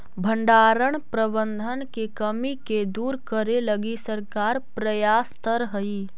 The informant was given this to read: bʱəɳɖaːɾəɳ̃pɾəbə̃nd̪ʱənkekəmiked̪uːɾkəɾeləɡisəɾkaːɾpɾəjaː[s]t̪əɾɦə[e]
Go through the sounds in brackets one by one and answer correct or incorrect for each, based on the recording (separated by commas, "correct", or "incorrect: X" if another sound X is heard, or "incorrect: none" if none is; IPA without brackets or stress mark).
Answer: correct, incorrect: i